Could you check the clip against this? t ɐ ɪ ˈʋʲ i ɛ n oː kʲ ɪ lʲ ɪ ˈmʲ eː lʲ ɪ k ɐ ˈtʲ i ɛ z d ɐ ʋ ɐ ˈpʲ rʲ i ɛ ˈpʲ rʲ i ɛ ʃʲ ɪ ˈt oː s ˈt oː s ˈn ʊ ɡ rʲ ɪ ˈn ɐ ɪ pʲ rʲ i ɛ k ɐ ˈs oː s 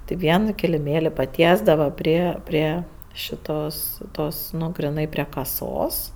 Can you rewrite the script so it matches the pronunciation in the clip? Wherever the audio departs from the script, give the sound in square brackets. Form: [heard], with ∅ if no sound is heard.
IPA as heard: t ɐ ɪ ˈʋʲ i ɛ n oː kʲ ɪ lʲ ɪ ˈmʲ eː lʲ ɪ [p] ɐ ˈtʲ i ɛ z d ɐ ʋ ɐ ˈpʲ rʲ i ɛ ˈpʲ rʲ i ɛ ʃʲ ɪ ˈt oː s ˈt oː s ˈn ʊ ɡ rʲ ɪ ˈn ɐ ɪ pʲ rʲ i ɛ k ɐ ˈs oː s